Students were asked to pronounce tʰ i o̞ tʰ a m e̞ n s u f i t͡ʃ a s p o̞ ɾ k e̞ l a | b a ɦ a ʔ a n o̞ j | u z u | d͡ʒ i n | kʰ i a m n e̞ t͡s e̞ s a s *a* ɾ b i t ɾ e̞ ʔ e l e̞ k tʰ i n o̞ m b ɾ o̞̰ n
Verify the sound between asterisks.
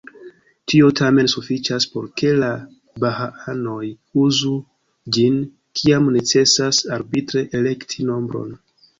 correct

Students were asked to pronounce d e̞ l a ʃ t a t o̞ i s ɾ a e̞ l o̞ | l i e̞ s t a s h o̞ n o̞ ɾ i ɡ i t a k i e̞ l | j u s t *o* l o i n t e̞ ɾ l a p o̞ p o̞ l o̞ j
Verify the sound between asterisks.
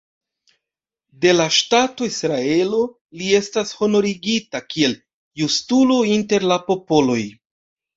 incorrect: u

